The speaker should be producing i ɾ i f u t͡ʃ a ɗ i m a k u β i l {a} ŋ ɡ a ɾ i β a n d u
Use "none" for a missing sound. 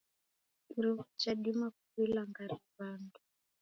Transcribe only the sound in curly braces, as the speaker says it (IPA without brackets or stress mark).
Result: a